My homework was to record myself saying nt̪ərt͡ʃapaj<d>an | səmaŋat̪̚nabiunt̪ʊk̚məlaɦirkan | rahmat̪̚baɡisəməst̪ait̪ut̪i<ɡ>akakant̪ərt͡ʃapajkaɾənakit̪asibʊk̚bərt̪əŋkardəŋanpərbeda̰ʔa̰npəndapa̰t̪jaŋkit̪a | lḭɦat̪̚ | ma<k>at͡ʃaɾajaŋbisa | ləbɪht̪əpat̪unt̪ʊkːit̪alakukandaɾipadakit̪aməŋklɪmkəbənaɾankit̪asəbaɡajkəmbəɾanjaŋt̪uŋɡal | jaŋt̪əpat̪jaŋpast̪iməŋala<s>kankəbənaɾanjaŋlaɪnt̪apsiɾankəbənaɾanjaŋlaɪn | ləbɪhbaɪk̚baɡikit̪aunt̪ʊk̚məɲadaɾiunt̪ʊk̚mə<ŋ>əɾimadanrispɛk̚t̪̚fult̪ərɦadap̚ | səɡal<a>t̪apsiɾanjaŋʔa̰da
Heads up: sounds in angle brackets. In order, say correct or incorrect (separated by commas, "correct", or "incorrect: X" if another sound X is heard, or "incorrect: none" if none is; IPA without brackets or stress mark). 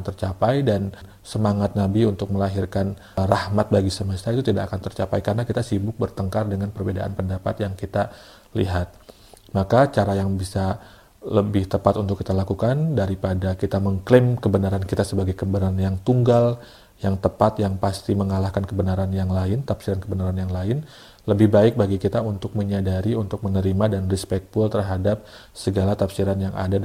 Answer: correct, incorrect: d, correct, incorrect: h, incorrect: n, correct